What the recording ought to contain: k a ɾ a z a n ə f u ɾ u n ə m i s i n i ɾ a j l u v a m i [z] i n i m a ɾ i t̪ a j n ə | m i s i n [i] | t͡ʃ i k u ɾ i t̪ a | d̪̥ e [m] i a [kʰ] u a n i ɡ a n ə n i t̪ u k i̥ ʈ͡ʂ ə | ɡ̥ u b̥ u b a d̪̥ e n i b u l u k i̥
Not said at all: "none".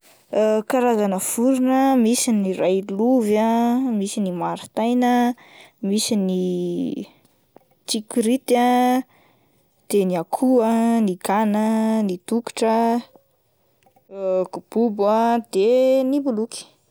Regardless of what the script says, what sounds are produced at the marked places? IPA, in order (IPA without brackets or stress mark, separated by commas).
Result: s, i, n, kʰ